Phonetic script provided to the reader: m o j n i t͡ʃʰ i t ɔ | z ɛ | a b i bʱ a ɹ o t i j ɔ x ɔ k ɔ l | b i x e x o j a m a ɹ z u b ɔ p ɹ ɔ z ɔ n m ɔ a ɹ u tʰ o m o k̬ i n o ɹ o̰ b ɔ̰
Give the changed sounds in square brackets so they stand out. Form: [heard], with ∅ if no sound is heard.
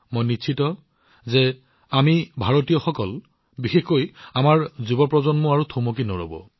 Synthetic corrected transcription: m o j n i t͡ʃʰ i t ɔ | z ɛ | a [m] i bʱ a ɹ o t i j ɔ x ɔ k ɔ l | b i x e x o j a m a ɹ z u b ɔ p ɹ ɔ z ɔ n m ɔ a ɹ u tʰ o m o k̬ i n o ɹ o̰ b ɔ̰